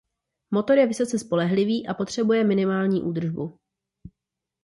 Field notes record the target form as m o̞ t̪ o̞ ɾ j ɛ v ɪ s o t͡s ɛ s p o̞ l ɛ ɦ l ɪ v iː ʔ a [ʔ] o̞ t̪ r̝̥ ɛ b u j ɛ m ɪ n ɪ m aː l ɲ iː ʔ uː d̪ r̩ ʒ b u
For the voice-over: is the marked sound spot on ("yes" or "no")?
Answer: no